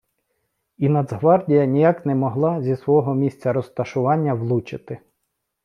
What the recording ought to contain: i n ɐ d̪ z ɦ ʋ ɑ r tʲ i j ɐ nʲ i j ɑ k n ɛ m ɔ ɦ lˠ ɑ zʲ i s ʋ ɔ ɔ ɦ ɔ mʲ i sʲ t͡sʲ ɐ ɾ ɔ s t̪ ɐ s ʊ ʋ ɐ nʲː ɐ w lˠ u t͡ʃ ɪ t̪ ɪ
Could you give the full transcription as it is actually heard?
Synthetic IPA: i n ɐ d̪ z ɦ ʋ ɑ r dʲ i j ɐ nʲ i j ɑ k n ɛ m ɔ ɦ lˠ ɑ zʲ i s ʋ ɔ ɔ ɦ ɔ mʲ i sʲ t͡sʲ ɐ ɾ ɔ s t̪ ɐ ʃ ʊ ʋ ɑ nʲː ɐ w lˠ u t͡ʃ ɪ t̪ ɪ